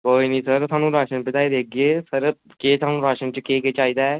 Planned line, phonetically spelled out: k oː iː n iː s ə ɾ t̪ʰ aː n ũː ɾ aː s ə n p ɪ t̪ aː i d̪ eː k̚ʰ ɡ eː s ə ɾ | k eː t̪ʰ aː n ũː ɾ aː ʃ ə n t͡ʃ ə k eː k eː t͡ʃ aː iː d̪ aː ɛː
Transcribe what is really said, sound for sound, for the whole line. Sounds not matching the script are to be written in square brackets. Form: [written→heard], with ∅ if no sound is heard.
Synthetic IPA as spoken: k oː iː n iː s ə ɾ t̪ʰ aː n ũː ɾ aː [s→ʃ] ə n p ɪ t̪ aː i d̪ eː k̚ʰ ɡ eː s ə ɾ | k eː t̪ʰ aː n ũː ɾ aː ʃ ə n t͡ʃ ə k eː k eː t͡ʃ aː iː d̪ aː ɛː